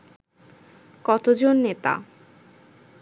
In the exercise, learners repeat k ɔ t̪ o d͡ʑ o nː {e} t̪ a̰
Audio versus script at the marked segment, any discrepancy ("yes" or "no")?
no